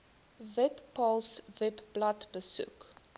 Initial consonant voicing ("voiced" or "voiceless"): voiced